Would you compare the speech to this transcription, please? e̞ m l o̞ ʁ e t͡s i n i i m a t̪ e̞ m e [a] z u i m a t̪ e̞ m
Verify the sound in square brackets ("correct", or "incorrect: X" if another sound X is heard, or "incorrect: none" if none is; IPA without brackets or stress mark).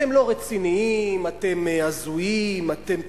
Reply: correct